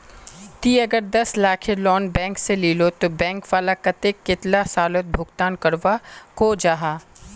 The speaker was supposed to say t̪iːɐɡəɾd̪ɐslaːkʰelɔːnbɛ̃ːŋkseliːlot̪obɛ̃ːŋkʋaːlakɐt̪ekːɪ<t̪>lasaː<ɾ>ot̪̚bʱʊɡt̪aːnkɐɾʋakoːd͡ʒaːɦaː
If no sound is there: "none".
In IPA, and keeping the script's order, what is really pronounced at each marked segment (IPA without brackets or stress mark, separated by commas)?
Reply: t̪, l